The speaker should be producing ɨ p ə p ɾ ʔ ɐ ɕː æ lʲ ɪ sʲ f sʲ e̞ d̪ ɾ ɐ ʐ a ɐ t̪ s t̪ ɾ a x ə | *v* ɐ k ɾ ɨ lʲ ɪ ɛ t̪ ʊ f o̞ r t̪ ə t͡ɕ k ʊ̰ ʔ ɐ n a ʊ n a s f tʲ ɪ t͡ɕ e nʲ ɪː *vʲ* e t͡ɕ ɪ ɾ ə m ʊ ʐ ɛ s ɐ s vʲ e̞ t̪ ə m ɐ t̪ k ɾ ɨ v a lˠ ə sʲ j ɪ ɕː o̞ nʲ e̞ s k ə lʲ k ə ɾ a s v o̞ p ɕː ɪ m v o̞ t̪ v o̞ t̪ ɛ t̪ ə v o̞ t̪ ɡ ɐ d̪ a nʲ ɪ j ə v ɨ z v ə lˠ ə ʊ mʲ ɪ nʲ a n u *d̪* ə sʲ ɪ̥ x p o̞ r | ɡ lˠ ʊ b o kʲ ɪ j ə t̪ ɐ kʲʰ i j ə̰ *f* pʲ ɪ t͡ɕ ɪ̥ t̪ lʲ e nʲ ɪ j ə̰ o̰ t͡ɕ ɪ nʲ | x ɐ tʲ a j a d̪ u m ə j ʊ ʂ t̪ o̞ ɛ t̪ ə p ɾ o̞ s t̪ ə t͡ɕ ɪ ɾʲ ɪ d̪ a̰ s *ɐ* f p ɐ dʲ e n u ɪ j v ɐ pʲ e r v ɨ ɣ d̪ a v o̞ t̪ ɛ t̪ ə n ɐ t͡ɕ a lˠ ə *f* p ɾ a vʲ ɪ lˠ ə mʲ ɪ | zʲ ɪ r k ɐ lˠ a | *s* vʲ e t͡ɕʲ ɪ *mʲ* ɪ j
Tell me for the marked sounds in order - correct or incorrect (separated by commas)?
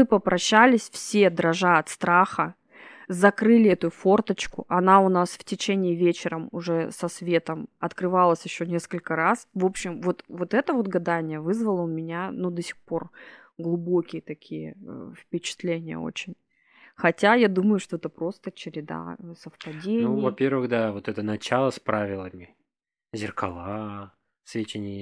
incorrect, correct, correct, correct, incorrect, incorrect, correct, incorrect